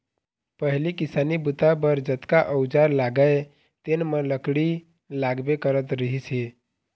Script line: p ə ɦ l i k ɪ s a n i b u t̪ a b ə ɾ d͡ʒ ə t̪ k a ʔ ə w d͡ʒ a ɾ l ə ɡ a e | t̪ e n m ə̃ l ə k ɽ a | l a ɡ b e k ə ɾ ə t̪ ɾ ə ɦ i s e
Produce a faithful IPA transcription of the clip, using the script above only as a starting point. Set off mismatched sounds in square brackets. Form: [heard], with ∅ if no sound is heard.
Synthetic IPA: p ə ɦ l i k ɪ s a n i b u t̪ a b ə ɾ d͡ʒ ə t̪ k a ʔ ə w d͡ʒ a ɾ l [a] ɡ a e | t̪ e n m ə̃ l ə k ɽ [i] | l a ɡ b e k ə ɾ ə t̪ ɾ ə ɦ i s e